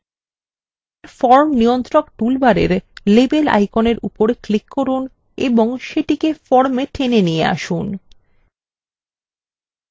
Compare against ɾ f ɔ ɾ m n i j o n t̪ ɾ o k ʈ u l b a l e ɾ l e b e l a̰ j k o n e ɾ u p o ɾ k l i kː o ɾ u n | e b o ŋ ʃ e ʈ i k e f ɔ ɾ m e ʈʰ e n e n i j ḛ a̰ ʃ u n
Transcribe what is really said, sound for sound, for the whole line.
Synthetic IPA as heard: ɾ f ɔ ɾ m n i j o n t̪ ɾ o k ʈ u l b a ɾ e ɾ l e b e l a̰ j k o n e ɾ u p o ɾ k l i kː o ɾ u n | e b o ŋ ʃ e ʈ i k e f ɔ ɾ m e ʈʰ e n e n i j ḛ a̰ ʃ u n

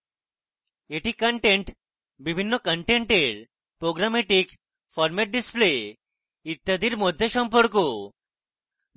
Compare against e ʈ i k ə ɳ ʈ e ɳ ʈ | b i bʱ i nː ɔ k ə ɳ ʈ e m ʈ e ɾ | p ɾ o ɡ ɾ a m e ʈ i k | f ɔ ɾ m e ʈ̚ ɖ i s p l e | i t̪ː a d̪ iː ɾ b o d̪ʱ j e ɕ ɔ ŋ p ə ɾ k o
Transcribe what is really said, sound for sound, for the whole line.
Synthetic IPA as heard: e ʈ i k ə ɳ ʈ e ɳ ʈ | b i bʱ i nː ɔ k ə ɳ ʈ e ɳ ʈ e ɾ | p ɾ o ɡ ɾ a m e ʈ i k | f ɔ ɾ m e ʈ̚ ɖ i s p l e | i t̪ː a d̪ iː ɾ m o d̪ʱ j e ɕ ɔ m p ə ɾ k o

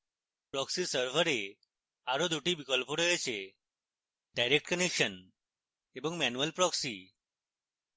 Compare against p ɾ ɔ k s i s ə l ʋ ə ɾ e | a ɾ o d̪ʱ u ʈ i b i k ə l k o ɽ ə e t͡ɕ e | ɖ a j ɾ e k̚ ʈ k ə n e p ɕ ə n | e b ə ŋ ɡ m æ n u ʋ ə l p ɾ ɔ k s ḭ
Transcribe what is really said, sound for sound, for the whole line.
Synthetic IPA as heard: p ɾ ɔ k s i s ə ɾ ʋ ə ɾ e | a ɾ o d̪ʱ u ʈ i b i k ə l p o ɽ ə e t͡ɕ e | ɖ a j ɾ e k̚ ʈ k ə n e k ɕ ə n | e b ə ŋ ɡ m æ n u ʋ ə l p ɾ ɔ k s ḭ

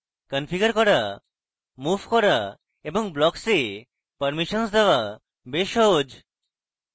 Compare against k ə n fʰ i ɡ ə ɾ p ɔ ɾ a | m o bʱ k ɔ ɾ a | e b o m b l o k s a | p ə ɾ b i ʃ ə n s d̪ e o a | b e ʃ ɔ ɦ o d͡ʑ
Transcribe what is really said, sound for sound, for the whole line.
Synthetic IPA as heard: k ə n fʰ i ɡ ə ɾ k ɔ ɾ a | m u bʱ k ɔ ɾ a | e b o ŋ b l ɔ k s e | p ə ɾ m i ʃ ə n s d̪ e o a | b e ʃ ɔ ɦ o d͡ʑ

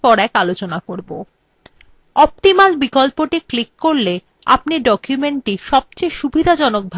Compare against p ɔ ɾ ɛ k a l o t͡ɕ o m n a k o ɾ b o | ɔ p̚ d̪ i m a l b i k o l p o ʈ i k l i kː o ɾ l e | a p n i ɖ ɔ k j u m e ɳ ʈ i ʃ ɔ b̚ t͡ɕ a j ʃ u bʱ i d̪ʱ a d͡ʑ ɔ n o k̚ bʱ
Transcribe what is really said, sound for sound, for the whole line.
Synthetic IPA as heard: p ɔ ɾ ɛ k a l o t͡ɕ o n a k o ɾ b o | ɔ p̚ t̪ i m a l b i k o l p o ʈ i k l i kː o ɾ l e | a p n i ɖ ɔ k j u m e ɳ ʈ i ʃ ɔ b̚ t͡ɕ e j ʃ u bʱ i d̪ʱ a d͡ʑ ɔ n o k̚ bʱ

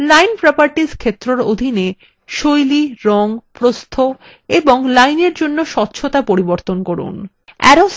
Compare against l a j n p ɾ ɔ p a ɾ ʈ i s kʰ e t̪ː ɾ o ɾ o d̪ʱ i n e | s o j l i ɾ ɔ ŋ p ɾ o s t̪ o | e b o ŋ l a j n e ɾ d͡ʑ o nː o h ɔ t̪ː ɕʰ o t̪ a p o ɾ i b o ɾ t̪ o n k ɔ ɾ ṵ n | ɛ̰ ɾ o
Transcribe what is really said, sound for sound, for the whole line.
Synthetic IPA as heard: l a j n p ɾ ɔ p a ɾ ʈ i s kʰ e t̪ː ɾ o ɾ o d̪ʱ i n e | ʃ o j l i ɾ ɔ ŋ p ɾ o s t̪ʰ o | e b o ŋ l a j n e ɾ d͡ʑ o nː o ʃ ɔ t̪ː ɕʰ o t̪ a p o ɾ i b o ɾ t̪ o n k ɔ ɾ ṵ n | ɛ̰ ɾ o

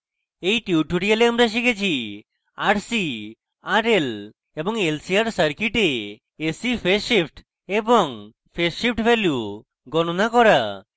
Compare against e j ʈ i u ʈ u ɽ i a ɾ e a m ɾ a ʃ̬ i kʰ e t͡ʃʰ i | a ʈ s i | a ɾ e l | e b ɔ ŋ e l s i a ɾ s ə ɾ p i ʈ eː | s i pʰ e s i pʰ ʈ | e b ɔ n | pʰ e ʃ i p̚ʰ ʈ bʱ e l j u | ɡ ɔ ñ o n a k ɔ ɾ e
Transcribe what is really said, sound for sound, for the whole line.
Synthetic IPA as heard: e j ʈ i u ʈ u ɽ i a l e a m ɾ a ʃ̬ i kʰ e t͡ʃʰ i | a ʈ s i | a ɾ e l | e b ɔ ŋ e l s i a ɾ s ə ɾ k i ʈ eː | s i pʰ e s i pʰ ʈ | e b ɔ ŋ | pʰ e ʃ i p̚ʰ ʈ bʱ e l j u | ɡ ɔ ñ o n a k ɔ ɾ a

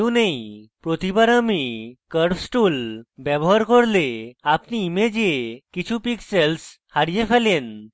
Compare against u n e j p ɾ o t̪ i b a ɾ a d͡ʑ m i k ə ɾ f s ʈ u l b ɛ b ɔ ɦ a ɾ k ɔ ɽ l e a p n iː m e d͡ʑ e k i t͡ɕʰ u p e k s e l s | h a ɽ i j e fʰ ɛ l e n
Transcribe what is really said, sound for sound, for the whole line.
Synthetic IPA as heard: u n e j p ɾ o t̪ i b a ɾ a m i k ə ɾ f s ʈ u l b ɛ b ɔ ɦ a ɾ k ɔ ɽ l e a p n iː m e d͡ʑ e k i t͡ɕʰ u p i k s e l s | h a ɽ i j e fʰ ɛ l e n

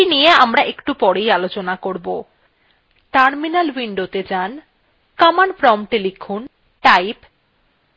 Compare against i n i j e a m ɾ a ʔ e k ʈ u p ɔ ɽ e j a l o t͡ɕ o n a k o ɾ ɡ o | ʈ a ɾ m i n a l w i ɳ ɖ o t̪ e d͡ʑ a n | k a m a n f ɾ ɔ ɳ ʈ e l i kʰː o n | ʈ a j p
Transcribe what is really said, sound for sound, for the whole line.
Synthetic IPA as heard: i n i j e a m ɾ a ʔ e k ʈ u p ɔ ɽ e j a l o t͡ɕ o n a k o ɾ b o | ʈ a ɾ m i n a l w i ɳ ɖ o t̪ e d͡ʑ a n | k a m a n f ɾ ɔ m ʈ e l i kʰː u n | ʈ a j p

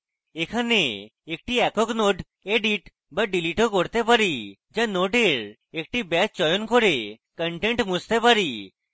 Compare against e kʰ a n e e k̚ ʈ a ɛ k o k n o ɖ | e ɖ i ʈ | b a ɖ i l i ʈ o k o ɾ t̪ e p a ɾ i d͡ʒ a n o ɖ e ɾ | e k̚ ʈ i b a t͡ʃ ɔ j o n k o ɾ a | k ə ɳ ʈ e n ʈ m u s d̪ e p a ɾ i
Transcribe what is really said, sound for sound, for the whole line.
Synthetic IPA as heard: e kʰ a n e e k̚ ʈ i ɛ k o k n o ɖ | e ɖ i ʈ | b a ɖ i l i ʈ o k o ɾ t̪ e p a ɾ i d͡ʒ a n o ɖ e ɾ | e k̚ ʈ i b ɛ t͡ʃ ɔ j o n k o ɾ e | k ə ɳ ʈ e ɳ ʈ m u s t̪ e p a ɾ i

